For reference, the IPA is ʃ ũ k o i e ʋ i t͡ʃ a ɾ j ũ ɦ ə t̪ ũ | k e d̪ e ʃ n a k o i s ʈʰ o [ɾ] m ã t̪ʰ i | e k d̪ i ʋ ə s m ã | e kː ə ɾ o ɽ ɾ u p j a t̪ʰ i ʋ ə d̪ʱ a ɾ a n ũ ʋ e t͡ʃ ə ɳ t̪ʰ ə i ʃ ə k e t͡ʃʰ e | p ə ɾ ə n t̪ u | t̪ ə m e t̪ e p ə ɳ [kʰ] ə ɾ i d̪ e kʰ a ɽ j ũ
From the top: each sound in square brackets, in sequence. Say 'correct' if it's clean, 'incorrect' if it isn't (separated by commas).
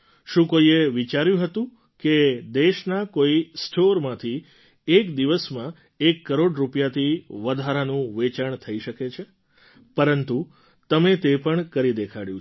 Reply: correct, incorrect